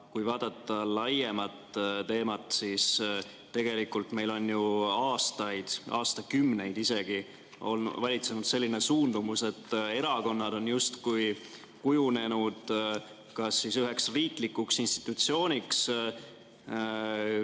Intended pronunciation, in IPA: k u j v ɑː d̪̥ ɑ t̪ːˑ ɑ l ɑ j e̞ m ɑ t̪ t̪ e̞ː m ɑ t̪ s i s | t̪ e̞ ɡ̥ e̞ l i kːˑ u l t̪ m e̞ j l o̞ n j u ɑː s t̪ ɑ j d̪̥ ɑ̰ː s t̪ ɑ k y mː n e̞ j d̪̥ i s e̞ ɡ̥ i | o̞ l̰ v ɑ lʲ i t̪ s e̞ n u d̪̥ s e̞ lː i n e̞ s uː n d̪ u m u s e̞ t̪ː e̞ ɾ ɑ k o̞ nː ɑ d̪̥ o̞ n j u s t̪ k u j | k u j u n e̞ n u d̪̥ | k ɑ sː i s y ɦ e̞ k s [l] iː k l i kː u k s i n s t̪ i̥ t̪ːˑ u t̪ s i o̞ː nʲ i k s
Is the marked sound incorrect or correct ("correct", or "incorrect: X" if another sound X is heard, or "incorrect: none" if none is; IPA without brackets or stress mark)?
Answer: incorrect: r